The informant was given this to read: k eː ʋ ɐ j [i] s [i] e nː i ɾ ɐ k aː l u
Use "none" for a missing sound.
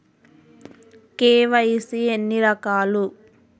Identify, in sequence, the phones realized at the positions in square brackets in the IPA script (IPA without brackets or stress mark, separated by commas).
i, i